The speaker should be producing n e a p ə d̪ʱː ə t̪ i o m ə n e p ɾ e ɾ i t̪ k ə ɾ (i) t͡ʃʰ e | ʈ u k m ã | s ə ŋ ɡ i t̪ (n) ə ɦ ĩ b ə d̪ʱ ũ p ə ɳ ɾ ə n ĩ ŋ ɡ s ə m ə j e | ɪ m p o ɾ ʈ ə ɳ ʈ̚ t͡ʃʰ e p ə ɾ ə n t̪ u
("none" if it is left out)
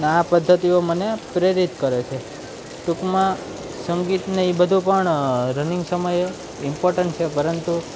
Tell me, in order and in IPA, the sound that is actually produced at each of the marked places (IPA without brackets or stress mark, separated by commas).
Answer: e, n